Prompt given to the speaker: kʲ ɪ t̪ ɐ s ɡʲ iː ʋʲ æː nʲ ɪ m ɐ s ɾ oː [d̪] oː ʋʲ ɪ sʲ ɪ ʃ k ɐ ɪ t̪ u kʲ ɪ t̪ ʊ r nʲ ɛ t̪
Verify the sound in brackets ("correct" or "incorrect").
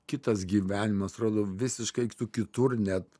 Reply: correct